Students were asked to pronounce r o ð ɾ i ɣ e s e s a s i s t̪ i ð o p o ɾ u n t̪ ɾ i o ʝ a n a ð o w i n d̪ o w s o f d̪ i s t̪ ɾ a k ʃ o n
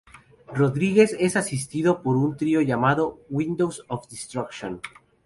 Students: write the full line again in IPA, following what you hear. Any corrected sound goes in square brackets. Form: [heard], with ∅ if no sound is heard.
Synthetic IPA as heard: r o ð ɾ i ɣ e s e s a s i s t̪ i ð o p o ɾ u n t̪ ɾ i o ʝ a [m] a ð o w i n d̪ o w s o f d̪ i s t̪ ɾ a k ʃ o n